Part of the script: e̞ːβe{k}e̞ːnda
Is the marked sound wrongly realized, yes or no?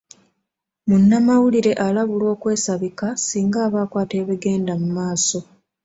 yes